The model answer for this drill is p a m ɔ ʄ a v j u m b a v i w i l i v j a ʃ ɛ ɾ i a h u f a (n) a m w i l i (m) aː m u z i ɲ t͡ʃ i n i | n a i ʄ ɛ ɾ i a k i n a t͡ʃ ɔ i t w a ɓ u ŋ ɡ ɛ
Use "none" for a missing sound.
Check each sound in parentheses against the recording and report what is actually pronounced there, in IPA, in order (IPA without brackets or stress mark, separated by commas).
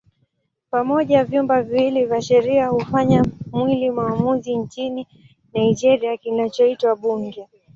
ɲ, m